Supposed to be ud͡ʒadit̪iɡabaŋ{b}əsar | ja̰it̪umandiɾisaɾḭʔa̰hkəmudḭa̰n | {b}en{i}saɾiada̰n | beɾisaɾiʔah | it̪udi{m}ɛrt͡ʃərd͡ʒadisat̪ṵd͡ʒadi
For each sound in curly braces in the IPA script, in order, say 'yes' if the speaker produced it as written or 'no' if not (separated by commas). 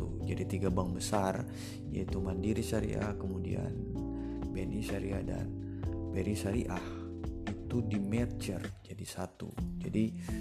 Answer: yes, yes, yes, yes